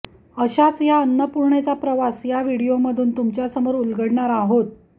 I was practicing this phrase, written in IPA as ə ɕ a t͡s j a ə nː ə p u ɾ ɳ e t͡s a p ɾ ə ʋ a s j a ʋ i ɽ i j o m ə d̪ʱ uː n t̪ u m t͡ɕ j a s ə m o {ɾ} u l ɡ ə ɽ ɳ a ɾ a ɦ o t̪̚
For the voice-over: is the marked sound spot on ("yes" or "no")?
yes